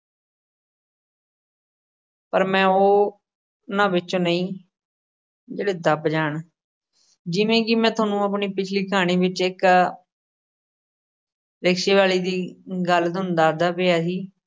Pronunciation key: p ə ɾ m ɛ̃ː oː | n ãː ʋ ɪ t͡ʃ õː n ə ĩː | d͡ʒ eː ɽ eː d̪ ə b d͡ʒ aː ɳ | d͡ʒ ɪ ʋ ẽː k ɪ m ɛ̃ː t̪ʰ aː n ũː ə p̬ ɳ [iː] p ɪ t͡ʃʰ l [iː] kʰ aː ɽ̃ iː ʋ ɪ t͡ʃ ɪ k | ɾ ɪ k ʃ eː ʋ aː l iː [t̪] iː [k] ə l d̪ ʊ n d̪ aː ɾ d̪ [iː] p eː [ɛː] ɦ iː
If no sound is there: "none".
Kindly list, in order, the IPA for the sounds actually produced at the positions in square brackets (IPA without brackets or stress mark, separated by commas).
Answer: iː, iː, d̪, ɡ, aː, aː